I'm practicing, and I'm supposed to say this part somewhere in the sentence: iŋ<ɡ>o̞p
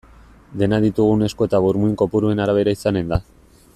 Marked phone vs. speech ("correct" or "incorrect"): incorrect